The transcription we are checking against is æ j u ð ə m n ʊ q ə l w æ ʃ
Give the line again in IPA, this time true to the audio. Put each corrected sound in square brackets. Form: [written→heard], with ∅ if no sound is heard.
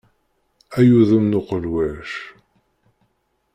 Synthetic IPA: æ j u ð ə m n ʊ q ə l w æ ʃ